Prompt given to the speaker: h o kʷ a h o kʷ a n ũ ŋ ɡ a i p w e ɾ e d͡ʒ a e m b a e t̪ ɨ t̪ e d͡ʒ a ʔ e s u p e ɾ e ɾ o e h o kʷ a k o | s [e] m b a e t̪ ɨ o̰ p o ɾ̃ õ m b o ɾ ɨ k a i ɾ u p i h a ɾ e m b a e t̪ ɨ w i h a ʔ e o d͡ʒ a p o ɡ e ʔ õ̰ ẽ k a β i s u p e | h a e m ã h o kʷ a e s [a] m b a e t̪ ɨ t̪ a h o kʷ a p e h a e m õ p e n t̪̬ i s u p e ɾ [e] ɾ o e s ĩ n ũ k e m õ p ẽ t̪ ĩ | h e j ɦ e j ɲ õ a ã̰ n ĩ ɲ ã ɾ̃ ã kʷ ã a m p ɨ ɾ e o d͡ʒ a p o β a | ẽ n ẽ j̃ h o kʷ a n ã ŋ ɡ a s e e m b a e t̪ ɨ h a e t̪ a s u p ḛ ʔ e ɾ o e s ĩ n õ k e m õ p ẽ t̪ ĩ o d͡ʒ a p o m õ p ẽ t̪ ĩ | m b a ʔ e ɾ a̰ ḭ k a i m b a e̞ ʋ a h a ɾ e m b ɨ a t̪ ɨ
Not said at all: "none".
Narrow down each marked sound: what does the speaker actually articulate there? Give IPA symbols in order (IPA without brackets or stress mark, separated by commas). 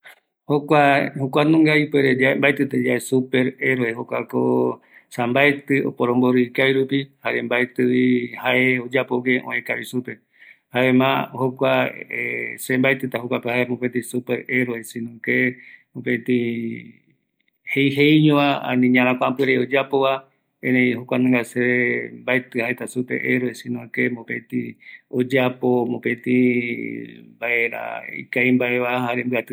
a, e, e